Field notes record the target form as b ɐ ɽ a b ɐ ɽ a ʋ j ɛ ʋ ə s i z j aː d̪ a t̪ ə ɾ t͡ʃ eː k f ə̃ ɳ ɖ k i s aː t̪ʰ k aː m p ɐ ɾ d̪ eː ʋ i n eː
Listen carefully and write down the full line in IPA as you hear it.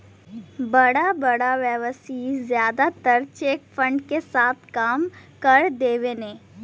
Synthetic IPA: b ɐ ɽ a b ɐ ɽ a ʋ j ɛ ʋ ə s i z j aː d̪ a t̪ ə ɾ t͡ʃ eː k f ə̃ ɳ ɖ k e s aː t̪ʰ k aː m k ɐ ɾ d̪ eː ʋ e n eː